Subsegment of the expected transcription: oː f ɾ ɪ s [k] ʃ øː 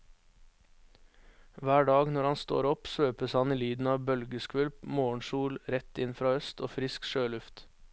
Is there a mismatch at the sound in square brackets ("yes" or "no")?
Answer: no